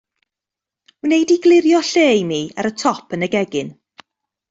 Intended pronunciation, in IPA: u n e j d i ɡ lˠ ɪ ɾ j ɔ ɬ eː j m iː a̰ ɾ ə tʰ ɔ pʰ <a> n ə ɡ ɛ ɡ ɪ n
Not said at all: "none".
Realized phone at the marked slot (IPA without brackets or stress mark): ə